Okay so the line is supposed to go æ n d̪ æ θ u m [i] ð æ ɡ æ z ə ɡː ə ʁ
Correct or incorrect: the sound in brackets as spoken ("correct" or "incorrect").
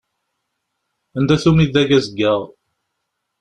correct